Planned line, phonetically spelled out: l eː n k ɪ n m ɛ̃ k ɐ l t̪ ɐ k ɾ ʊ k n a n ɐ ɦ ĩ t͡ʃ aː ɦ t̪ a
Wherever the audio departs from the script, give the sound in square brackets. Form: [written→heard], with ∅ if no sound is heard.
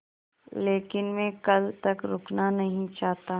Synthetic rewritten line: l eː [n→∅] k ɪ n m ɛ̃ k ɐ l t̪ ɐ k ɾ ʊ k n a n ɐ ɦ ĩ t͡ʃ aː ɦ t̪ a

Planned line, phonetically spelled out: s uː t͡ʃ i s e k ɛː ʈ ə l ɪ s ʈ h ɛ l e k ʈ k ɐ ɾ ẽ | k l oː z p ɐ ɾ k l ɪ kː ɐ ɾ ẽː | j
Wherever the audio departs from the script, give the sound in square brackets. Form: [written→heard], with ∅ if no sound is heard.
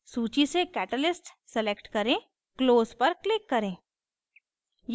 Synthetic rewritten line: s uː t͡ʃ i s e k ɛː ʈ ə l ɪ s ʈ [h→s] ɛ l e k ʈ k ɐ ɾ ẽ | k l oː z p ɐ ɾ k l ɪ kː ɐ ɾ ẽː | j

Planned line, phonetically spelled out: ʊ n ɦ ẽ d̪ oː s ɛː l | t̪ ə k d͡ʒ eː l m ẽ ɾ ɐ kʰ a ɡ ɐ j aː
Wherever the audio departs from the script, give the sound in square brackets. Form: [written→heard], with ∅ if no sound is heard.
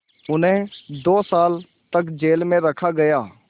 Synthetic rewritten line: ʊ n ɦ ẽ d̪ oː s [ɛː→aː] l | t̪ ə k d͡ʒ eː l m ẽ ɾ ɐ kʰ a ɡ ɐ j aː

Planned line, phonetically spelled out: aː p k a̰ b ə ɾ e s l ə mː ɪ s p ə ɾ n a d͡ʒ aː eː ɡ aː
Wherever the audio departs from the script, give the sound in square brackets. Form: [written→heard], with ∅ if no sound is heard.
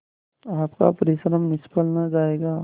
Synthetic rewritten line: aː p k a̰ [b→p] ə ɾ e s [l→ɾ] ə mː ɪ s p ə [ɾ→l] n a d͡ʒ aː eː ɡ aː

